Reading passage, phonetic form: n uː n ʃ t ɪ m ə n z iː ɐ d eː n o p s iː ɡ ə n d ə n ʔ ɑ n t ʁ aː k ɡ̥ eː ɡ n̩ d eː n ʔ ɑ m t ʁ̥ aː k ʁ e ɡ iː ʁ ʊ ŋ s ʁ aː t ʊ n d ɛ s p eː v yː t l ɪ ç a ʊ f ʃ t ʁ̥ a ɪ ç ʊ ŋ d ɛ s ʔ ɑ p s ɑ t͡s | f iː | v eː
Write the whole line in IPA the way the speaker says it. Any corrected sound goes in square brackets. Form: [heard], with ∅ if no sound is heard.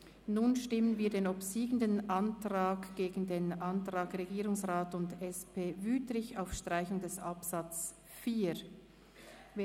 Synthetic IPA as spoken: n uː n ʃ t ɪ m ə n [v] iː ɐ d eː n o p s iː ɡ ə n d ə n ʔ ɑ n t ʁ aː k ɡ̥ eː ɡ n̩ d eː n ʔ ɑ [n] t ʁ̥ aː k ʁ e ɡ iː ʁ ʊ ŋ s ʁ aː t ʊ n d ɛ s p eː v yː t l ɪ ç a ʊ f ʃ t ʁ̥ a ɪ ç ʊ ŋ d ɛ s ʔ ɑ p s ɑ t͡s | f iː | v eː